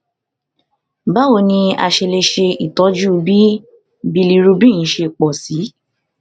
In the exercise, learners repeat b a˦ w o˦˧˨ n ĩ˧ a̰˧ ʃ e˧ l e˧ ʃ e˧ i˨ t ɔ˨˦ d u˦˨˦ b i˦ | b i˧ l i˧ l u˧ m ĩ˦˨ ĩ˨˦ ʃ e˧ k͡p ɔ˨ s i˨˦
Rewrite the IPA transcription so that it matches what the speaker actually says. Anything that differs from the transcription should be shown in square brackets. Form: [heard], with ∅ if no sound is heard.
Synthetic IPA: b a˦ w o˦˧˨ n ĩ˧ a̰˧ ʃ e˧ l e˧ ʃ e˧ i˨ t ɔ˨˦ [d͡ʒ] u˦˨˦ b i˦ | b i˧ l i˧ [ɾ] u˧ [b] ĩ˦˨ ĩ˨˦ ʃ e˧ k͡p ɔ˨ s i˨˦